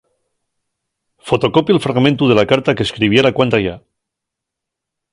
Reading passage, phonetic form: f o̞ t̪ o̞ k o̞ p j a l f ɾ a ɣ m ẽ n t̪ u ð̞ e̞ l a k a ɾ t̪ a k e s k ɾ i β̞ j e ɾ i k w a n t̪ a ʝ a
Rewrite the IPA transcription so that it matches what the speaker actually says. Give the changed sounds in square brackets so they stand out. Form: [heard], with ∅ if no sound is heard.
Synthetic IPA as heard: f o̞ t̪ o̞ k o̞ p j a l f ɾ a ɣ m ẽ n t̪ u ð̞ e̞ l a k a ɾ t̪ a k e s k ɾ i β̞ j e ɾ [a] k w a n t̪ a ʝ a